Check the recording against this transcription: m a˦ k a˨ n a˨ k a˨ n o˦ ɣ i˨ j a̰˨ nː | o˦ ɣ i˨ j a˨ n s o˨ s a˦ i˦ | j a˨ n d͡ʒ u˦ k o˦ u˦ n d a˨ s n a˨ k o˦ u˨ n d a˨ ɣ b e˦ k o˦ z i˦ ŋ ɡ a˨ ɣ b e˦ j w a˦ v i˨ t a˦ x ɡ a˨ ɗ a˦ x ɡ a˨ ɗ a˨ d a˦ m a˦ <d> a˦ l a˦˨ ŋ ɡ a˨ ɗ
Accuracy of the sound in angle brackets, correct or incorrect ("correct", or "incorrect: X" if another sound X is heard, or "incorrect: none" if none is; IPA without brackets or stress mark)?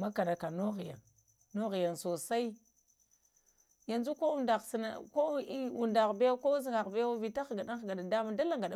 correct